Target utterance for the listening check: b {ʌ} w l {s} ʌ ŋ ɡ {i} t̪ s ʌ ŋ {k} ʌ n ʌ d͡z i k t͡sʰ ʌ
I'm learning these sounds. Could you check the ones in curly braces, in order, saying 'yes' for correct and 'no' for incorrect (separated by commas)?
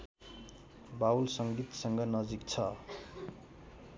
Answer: no, yes, yes, no